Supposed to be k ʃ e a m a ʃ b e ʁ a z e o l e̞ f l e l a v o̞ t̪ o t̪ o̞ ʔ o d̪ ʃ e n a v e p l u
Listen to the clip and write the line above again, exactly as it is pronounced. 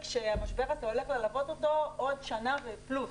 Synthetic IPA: k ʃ e a m a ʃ b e ʁ a z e o l e̞ χ l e l a v o̞ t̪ o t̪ o̞ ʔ o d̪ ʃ a n a v e p l u